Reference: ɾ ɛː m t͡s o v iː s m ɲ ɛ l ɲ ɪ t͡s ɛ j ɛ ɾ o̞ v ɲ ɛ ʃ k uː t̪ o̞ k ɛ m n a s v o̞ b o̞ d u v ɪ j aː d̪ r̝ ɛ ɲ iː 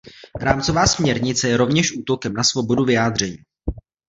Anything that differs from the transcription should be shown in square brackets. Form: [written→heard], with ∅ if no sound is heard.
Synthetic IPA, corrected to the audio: ɾ [ɛː→aː] m t͡s o v [iː→aː] s m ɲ ɛ [l→ɾ] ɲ ɪ t͡s ɛ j ɛ ɾ o̞ v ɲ ɛ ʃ [k→ʔ] uː t̪ o̞ k ɛ m n a s v o̞ b o̞ d u v ɪ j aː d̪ r̝ ɛ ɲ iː